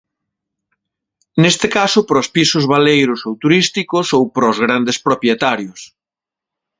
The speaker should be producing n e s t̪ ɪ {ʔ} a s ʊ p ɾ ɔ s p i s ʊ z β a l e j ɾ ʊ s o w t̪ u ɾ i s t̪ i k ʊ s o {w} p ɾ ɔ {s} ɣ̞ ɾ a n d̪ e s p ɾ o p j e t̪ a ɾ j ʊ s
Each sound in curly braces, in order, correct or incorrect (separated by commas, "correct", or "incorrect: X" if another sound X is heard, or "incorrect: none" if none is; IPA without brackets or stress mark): incorrect: k, correct, incorrect: z